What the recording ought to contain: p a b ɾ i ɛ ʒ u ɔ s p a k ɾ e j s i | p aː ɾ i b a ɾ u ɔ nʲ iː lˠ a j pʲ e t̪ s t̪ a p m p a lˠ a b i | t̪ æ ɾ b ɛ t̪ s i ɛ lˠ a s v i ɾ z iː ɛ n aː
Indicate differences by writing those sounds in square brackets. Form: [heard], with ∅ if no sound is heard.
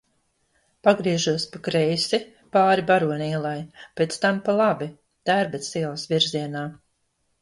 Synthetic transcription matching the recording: p a [ɡ] ɾ i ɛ ʒ u ɔ s p a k ɾ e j s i | p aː ɾ i b a ɾ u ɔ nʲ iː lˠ a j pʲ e t̪ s t̪ a [∅] m p a lˠ a b i | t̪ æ ɾ b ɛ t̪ s i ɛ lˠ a s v i ɾ z [i] ɛ n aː